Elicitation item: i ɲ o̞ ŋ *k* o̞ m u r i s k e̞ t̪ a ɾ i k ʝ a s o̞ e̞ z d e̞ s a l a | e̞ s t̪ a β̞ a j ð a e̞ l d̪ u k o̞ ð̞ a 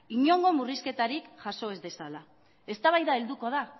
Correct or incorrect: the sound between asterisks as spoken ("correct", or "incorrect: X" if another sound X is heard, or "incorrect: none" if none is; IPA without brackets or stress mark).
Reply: incorrect: ɡ